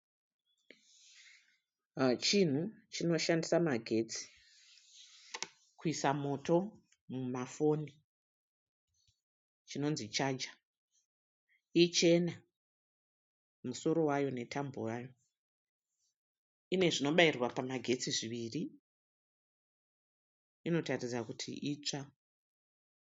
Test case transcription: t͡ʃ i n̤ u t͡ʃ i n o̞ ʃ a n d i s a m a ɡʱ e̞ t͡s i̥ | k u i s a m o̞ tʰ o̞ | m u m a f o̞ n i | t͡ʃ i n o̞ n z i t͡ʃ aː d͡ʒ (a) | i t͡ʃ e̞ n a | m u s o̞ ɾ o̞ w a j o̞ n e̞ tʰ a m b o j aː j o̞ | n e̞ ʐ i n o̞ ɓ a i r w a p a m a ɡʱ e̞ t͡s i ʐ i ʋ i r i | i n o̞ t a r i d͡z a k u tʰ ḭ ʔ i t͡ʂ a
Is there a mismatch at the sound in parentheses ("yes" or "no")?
no